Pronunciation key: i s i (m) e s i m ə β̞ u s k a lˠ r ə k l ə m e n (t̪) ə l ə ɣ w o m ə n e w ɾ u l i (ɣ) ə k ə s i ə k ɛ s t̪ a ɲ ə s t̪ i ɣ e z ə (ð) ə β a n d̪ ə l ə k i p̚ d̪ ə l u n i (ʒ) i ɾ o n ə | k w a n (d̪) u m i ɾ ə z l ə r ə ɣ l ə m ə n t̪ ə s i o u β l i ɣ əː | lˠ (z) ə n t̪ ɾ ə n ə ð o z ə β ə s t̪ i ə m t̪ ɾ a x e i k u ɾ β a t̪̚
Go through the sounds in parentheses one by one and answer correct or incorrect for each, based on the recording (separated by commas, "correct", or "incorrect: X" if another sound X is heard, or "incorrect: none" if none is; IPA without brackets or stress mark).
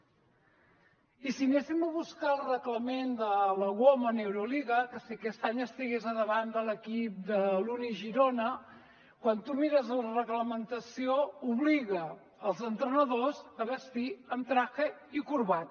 incorrect: n, incorrect: d̪, correct, correct, correct, incorrect: t̪, correct